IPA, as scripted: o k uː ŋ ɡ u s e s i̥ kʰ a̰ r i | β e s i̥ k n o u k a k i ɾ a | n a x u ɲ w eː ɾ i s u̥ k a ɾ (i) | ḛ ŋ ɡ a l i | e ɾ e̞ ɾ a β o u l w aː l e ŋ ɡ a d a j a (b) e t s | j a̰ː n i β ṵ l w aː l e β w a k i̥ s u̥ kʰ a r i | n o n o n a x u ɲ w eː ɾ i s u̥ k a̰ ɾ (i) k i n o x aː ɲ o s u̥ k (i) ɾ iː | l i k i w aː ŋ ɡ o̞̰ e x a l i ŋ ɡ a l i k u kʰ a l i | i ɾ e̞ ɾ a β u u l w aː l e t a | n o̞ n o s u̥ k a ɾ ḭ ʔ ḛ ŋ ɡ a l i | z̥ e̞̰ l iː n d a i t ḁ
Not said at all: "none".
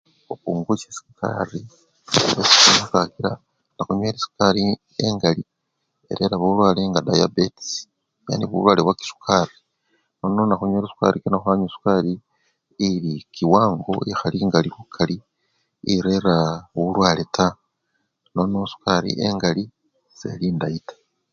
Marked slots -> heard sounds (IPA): i, b, i, a

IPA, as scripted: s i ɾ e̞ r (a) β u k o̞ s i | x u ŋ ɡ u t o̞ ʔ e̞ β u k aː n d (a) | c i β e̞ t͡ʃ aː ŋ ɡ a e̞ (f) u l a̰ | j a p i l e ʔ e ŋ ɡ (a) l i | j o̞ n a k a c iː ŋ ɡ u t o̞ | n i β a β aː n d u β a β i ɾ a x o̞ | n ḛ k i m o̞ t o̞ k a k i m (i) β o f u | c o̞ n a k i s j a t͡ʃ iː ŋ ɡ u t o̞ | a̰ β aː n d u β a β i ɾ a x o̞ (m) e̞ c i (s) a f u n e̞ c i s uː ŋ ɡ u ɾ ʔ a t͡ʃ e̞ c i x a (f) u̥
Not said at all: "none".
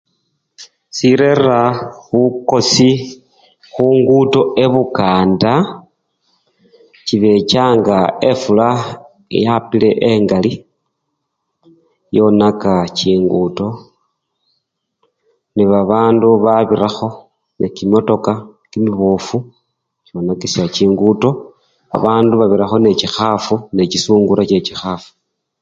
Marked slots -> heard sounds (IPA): a, a, f, a, i, n, x, f

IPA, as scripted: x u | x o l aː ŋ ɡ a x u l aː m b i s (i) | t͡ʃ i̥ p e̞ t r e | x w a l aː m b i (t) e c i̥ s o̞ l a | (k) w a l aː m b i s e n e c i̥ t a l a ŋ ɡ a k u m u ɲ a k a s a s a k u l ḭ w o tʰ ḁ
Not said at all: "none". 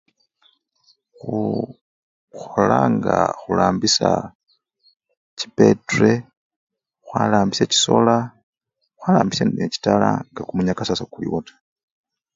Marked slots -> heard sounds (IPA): a, s, x

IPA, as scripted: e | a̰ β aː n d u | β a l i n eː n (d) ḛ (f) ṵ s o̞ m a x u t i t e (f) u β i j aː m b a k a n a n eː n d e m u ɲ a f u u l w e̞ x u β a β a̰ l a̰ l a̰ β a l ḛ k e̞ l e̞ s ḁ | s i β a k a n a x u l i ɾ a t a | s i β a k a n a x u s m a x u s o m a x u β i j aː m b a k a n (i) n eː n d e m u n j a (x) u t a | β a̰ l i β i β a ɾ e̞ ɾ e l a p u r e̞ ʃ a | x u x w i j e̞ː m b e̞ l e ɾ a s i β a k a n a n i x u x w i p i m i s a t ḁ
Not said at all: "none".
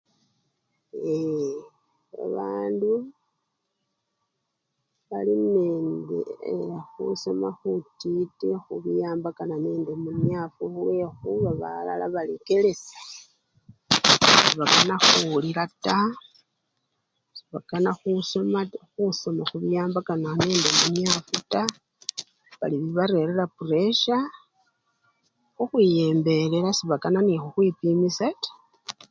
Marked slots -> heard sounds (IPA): d, x, x, a, f

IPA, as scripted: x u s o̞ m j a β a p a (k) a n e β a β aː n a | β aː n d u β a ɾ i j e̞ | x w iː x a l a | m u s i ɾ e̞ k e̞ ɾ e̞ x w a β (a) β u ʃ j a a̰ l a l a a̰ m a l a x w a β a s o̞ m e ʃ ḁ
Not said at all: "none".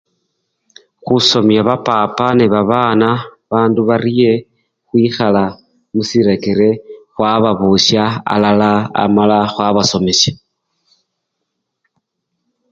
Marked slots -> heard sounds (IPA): p, a

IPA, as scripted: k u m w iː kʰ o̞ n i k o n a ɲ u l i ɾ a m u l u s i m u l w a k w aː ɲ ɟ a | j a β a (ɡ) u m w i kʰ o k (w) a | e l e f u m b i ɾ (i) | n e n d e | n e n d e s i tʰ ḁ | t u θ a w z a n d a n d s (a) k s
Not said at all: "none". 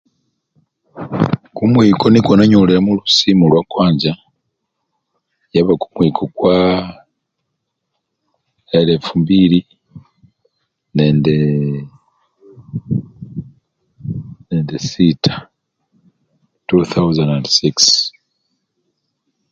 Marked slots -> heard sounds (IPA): k, w, i, i

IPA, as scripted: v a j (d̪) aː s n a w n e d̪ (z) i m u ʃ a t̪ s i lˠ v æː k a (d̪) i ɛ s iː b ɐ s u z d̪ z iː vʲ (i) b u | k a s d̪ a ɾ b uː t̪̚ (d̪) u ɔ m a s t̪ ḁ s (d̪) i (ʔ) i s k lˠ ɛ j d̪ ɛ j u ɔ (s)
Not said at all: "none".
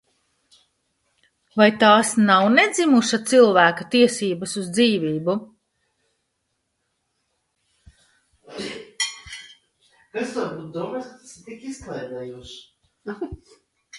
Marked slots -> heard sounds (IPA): t̪, z, t̪, iː, d̪, t̪, k, ʃ

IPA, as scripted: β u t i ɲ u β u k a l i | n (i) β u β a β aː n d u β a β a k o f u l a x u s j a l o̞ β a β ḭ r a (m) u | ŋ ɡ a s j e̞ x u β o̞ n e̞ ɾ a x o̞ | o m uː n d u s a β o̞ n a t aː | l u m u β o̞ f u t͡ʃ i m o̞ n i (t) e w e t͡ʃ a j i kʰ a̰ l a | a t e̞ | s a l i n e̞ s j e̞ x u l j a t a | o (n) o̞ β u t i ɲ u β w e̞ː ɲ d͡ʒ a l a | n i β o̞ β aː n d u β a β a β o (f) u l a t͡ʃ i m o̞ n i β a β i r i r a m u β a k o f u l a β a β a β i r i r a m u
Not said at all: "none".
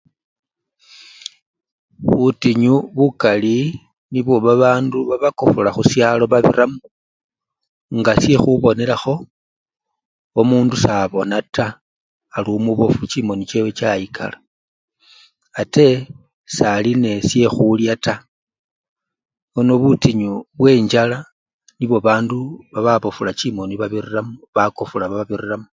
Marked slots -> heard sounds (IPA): i, m, t͡ʃ, n, f

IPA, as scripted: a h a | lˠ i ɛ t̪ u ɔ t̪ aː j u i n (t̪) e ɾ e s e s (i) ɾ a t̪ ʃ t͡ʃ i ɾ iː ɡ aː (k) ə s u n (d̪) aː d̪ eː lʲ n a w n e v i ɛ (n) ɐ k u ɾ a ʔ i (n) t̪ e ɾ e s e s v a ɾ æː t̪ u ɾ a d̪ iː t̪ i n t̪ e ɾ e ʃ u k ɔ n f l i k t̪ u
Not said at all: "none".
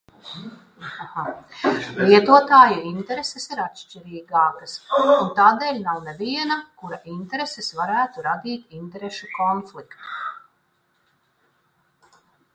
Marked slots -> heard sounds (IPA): t̪, i, k, t̪, n, n

